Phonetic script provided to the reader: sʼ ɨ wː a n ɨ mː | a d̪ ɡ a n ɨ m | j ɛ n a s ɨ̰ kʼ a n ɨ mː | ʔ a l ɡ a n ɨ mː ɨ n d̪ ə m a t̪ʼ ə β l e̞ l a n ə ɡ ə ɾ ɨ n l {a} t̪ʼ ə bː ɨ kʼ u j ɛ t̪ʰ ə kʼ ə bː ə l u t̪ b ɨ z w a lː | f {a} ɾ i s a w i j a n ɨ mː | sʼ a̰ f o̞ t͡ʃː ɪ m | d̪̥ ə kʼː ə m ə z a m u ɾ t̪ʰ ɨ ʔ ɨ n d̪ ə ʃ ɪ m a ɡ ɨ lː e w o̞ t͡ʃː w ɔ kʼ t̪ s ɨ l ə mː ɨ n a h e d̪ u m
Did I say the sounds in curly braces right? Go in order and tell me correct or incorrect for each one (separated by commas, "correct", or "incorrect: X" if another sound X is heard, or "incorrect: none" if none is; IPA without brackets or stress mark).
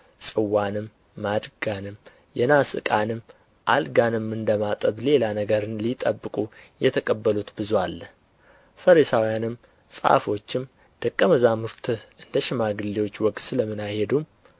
incorrect: i, incorrect: ə